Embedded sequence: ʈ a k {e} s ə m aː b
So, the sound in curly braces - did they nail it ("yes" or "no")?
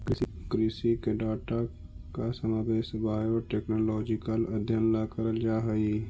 no